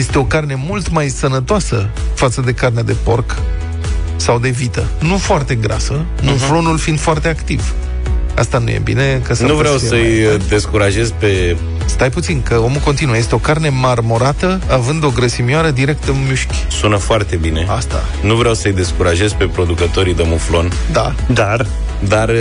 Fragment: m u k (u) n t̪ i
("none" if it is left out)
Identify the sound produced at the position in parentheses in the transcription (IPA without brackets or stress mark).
o